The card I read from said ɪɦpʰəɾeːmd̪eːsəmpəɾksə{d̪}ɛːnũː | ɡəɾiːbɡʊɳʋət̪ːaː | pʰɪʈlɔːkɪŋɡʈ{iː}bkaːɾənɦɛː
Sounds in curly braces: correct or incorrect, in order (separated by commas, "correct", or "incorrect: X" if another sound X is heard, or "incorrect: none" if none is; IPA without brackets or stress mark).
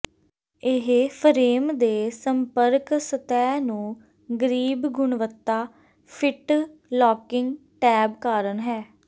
incorrect: t̪, incorrect: ɛː